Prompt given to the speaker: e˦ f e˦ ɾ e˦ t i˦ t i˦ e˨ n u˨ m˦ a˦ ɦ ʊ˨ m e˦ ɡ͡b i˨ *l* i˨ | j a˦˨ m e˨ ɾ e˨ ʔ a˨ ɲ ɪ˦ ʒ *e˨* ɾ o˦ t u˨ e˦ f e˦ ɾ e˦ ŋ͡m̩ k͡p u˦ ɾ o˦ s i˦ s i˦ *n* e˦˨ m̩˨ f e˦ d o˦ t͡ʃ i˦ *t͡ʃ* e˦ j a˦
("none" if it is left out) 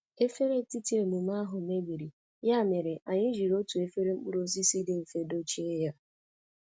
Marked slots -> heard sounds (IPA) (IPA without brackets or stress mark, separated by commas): ɾ, i˨, d, none